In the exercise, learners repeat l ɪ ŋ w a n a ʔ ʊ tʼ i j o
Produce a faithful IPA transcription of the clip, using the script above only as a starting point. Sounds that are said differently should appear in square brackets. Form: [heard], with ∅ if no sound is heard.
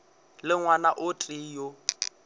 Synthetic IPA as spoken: l ɪ ŋ w a n a ʔ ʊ tʼ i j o

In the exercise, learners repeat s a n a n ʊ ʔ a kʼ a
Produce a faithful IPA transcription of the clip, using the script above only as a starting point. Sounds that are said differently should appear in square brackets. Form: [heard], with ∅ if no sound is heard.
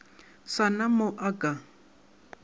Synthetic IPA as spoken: s a n a [m] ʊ ʔ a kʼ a

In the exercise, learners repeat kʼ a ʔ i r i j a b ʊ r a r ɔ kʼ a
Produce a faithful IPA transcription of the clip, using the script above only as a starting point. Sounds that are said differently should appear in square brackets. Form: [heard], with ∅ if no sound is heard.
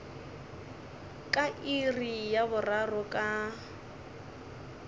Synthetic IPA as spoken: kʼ a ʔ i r i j a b ʊ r a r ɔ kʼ a

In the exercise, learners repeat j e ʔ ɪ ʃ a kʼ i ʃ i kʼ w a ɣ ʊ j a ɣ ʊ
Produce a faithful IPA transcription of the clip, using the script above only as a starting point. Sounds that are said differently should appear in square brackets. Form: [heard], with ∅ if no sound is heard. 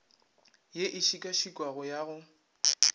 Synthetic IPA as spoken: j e ʔ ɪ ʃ [i] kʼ [a] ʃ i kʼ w a ɣ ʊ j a ɣ ʊ

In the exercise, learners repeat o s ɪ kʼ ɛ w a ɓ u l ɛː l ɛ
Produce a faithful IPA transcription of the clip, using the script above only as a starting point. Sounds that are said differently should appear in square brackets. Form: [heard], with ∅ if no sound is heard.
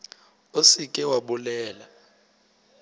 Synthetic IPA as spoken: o s [i] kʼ ɛ w a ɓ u l ɛː l [a]

